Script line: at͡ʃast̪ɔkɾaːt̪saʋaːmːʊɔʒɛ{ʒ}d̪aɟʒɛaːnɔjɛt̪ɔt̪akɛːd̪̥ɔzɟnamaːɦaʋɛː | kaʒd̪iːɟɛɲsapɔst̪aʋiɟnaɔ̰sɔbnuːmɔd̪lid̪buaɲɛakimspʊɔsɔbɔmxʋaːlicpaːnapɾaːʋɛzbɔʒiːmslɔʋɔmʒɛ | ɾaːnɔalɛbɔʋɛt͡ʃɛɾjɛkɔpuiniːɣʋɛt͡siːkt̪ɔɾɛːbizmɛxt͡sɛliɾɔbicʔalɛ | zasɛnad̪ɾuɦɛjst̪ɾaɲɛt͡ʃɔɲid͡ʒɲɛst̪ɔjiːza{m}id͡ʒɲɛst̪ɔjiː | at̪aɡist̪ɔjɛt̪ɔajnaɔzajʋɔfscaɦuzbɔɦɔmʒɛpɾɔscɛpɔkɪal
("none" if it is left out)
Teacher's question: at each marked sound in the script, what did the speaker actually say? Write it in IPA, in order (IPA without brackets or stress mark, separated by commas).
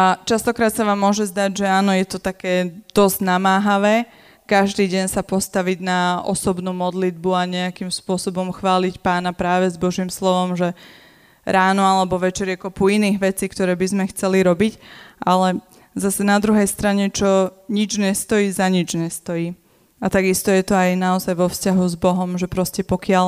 z, ɲ